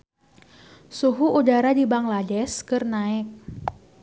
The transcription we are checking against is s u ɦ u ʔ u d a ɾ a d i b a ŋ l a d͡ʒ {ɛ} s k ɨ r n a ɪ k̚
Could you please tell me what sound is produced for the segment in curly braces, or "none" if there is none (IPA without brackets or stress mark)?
ɛ